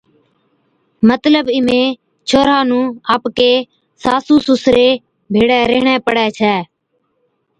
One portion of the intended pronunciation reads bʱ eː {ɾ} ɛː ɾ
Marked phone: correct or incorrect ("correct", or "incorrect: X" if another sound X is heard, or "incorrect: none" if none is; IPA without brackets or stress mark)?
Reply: incorrect: ɽ